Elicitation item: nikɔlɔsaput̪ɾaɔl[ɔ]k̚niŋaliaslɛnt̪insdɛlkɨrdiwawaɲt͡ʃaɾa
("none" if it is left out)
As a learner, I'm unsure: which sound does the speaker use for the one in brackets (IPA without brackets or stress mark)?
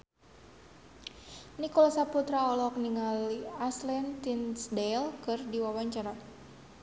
ɔ